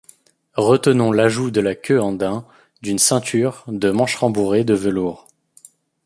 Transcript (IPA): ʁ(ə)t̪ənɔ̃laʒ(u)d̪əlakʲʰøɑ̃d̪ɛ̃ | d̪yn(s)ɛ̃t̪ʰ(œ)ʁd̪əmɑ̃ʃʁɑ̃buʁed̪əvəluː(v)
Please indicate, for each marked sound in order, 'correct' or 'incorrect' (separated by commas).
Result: correct, correct, correct, incorrect, incorrect